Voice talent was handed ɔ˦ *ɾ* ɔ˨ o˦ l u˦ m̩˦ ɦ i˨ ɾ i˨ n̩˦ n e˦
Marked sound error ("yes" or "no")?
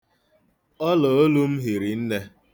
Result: yes